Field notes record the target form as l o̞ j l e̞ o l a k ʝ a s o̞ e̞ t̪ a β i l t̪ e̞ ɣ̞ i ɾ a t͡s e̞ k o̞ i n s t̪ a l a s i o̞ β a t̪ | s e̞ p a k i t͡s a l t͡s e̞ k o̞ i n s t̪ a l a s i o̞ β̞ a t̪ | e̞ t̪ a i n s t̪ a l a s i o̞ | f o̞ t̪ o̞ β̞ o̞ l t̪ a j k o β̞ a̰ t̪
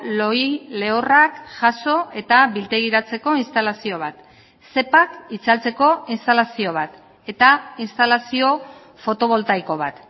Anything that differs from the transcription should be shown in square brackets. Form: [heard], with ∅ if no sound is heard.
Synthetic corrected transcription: l o̞ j l e̞ o [r] a k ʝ a s o̞ e̞ t̪ a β i l t̪ e̞ ɣ̞ i ɾ a t͡s e̞ k o̞ i n s t̪ a l a s i o̞ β a t̪ | s e̞ p a k i t͡s a l t͡s e̞ k o̞ i n s t̪ a l a s i o̞ β̞ a t̪ | e̞ t̪ a i n s t̪ a l a s i o̞ | f o̞ t̪ o̞ β̞ o̞ l t̪ a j k o β̞ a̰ t̪